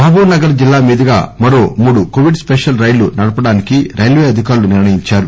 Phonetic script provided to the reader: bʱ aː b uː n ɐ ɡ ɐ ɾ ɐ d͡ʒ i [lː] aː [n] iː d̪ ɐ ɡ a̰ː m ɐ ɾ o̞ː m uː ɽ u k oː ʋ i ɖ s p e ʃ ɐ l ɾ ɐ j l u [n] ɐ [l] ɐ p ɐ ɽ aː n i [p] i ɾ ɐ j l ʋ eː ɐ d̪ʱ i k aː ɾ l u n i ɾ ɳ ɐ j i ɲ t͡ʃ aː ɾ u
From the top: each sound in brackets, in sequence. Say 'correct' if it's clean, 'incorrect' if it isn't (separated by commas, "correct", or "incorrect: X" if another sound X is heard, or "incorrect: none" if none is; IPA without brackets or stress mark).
correct, incorrect: m, correct, incorrect: ɽ, incorrect: k